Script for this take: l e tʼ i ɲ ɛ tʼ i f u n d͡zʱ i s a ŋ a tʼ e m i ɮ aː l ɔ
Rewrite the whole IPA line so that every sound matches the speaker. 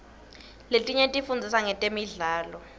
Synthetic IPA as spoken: l e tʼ i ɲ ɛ tʼ i f u n d͡zʱ i s a ŋ ɛ tʼ e m i ɮ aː l ɔ